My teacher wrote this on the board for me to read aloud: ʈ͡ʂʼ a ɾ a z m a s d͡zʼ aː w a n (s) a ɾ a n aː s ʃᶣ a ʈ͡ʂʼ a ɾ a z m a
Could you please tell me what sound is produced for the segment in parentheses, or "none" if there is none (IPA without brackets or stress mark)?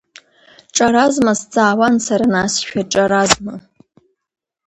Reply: s